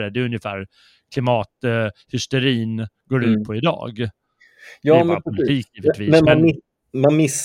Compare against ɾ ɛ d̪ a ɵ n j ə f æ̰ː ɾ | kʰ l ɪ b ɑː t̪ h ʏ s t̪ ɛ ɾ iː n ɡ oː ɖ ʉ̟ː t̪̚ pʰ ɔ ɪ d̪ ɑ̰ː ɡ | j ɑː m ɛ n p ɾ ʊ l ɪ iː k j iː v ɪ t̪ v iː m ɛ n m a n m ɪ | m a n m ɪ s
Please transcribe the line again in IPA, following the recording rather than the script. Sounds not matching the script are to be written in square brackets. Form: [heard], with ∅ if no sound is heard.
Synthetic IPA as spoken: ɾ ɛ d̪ [ɛ] ɵ n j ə f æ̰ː ɾ | kʰ l ɪ [m] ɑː t̪ h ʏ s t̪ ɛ ɾ iː n ɡ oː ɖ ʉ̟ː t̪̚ pʰ ɔ ɪ d̪ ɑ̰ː ɡ | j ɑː m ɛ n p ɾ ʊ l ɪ iː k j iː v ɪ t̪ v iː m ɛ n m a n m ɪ | m a n m ɪ s